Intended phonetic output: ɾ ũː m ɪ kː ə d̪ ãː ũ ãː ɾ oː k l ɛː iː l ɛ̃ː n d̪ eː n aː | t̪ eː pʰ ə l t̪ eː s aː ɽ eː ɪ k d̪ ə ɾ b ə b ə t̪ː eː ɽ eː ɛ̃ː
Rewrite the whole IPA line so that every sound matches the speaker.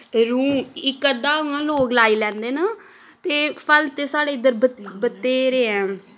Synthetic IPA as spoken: ɾ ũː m ɪ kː ə d̪ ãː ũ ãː l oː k l aː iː l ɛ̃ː n d̪ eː n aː | t̪ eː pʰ ə l t̪ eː s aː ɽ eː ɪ d̪ ə ɾ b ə b ə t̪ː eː ɾ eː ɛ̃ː